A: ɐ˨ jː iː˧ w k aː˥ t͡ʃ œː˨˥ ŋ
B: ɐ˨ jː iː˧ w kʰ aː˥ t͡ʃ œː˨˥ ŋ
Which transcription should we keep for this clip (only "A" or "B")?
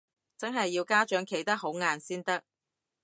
A